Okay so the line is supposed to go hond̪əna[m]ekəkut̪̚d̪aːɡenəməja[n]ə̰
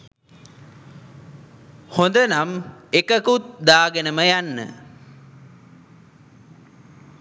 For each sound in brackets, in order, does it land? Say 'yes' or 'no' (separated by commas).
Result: yes, no